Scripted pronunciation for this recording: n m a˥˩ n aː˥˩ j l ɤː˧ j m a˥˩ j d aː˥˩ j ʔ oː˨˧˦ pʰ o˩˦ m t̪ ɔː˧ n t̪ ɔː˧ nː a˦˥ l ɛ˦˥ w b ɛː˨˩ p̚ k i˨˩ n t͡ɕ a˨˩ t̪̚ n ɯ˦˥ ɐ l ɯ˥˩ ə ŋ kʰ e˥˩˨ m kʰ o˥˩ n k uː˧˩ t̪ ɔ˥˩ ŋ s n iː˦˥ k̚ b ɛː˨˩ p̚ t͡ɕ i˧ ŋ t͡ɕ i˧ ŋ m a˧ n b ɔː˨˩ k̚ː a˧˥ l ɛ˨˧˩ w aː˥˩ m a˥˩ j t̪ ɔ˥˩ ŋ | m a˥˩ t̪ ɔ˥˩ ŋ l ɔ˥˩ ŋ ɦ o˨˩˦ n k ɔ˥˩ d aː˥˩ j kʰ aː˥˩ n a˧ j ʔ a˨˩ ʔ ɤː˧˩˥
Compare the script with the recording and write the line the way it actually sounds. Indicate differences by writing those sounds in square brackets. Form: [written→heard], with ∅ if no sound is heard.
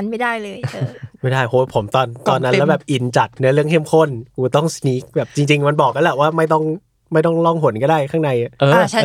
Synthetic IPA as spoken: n m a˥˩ [n→d] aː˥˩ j l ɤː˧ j m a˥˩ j d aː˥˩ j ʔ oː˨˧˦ pʰ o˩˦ m t̪ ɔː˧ n t̪ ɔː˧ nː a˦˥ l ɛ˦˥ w b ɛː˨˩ p̚ [k→ʔ] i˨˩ n t͡ɕ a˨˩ t̪̚ n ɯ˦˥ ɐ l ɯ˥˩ ə ŋ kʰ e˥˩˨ m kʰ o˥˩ n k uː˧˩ t̪ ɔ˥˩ ŋ s n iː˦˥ k̚ b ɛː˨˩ p̚ t͡ɕ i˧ ŋ t͡ɕ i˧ ŋ m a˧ n b ɔː˨˩ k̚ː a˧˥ l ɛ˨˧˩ w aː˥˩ m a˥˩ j t̪ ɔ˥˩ ŋ | m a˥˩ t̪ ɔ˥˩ ŋ l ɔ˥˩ ŋ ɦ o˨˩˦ n k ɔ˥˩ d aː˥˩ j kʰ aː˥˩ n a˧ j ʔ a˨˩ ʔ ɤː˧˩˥